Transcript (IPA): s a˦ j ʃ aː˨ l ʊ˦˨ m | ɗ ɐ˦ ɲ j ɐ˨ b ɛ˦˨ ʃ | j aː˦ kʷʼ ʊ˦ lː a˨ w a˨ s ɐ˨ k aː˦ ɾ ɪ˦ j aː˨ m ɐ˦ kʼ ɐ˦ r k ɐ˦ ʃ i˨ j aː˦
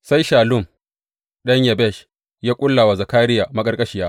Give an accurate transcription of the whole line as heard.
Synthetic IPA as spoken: s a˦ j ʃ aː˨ l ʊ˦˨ m | ɗ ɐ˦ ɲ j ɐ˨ b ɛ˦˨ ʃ | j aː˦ kʷʼ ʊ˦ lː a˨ w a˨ z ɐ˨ k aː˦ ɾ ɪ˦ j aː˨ m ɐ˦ kʼ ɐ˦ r kʼ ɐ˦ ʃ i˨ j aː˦